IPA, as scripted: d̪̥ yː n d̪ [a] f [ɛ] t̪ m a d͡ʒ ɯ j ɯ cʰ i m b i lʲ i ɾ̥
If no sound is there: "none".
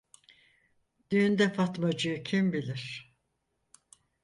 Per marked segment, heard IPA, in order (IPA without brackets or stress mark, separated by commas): ɛ, a